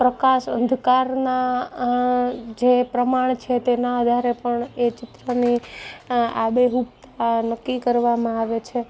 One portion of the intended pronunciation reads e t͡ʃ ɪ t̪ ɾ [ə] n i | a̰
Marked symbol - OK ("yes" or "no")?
yes